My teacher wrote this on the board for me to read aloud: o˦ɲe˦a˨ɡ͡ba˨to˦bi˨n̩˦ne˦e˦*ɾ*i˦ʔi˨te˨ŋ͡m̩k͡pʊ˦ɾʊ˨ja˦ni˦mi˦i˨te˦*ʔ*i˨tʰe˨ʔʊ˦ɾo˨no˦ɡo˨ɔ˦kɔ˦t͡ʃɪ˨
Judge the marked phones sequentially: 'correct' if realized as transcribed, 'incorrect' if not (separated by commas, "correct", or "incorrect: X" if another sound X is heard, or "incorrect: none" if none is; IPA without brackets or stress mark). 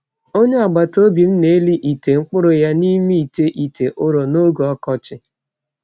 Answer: incorrect: l, correct